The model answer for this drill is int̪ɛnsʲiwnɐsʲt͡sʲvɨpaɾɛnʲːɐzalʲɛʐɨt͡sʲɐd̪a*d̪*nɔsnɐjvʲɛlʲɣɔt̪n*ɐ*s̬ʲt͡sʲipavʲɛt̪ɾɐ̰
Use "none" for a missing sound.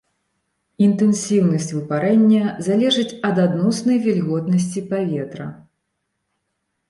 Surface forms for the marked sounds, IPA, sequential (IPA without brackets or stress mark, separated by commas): d̪, ɐ